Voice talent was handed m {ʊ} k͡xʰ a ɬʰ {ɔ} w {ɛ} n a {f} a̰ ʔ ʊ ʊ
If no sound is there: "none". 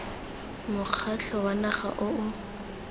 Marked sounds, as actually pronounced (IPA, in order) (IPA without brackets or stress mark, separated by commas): ʊ, ɔ, a, χ